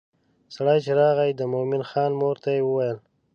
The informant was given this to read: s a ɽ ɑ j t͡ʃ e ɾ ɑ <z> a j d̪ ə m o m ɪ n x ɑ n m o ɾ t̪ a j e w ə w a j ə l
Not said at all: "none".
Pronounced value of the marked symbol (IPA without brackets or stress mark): ɣ